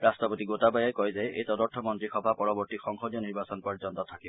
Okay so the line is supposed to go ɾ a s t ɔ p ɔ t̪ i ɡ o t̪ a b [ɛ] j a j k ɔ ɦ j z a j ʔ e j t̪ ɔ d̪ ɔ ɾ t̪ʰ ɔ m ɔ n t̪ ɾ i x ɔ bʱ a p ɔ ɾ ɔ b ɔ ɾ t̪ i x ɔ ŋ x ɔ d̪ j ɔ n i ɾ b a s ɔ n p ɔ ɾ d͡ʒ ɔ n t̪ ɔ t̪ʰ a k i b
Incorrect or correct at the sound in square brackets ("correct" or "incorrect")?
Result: incorrect